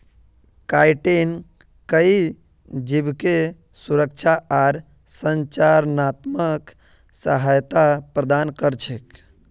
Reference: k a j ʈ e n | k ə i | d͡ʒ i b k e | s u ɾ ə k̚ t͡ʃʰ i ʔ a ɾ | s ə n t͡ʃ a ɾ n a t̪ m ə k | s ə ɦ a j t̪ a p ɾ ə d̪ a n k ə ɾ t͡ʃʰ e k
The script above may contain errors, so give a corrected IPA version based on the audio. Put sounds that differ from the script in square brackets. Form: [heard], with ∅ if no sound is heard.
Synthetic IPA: k a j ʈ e n | k ə i | d͡ʒ i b k e | s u ɾ ə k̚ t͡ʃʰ [a] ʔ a ɾ | s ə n t͡ʃ a ɾ n a t̪ m ə k | s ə ɦ a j t̪ a p ɾ ə d̪ a n k ə ɾ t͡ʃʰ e k